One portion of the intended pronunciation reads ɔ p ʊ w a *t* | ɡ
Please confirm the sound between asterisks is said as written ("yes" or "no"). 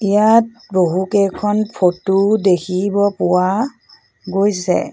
no